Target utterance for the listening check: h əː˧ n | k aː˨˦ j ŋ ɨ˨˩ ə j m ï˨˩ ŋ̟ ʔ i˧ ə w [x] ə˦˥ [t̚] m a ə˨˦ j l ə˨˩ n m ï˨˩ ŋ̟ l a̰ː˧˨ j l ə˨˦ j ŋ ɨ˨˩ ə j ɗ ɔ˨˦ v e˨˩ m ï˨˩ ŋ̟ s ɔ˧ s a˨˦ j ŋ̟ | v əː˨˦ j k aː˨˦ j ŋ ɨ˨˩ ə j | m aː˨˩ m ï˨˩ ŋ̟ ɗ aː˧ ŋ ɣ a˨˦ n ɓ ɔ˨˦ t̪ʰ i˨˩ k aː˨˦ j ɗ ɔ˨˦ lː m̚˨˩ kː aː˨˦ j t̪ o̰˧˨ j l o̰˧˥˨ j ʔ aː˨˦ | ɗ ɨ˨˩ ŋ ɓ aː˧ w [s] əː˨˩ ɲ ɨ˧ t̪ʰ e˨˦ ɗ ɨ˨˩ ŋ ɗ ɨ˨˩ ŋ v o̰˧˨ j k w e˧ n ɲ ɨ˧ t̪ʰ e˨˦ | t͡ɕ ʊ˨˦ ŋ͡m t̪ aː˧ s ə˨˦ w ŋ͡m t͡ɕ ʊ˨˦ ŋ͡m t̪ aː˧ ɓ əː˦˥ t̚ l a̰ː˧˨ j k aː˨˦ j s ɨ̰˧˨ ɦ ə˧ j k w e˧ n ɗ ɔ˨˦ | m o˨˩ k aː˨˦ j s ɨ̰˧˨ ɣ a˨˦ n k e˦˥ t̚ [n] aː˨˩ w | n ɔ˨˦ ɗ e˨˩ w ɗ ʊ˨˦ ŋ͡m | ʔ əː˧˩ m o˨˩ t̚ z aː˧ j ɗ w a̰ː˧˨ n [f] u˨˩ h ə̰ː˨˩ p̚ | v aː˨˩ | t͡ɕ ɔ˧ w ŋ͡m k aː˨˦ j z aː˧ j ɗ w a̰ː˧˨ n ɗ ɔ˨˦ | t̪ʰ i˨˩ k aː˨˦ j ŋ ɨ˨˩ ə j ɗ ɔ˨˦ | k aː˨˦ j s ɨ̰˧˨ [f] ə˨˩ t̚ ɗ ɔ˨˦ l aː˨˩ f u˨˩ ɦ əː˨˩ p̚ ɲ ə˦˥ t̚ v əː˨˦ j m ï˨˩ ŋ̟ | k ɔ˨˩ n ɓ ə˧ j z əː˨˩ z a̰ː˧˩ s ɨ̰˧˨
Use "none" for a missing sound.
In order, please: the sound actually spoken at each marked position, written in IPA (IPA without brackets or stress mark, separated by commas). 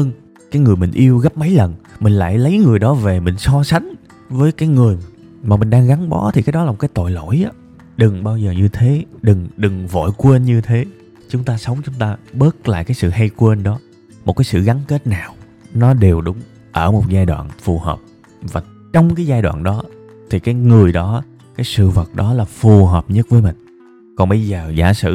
ɣ, p̚, z, n, f, v